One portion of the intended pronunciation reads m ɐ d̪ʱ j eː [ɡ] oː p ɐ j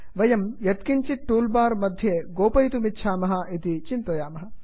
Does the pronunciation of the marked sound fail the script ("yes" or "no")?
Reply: no